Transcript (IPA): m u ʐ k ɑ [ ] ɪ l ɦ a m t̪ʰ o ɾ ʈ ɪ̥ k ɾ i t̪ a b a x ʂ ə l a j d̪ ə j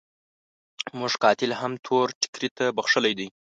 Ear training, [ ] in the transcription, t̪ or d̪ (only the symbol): t̪